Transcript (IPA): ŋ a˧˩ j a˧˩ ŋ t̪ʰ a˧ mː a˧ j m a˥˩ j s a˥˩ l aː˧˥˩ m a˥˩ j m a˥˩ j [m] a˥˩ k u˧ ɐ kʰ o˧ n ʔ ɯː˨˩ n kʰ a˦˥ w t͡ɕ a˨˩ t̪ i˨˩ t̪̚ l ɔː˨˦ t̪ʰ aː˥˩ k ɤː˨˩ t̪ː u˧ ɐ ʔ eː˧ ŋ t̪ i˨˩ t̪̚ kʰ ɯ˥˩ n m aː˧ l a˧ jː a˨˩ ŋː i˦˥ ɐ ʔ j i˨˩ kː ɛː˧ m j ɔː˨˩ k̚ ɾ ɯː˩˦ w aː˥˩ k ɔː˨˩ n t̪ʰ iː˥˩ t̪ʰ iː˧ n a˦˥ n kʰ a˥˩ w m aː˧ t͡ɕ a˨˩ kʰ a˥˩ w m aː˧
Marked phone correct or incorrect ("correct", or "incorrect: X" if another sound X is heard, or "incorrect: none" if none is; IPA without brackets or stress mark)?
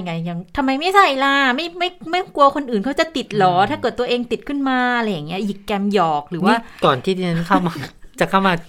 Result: correct